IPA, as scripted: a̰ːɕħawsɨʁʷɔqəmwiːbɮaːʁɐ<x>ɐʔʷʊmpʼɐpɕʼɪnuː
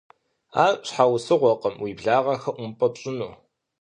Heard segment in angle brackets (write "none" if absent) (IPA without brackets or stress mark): x